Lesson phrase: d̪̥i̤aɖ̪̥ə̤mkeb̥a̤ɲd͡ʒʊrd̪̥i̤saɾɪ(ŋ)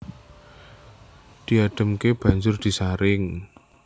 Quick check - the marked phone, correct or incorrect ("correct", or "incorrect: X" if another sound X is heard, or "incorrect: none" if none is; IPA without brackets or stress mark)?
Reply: correct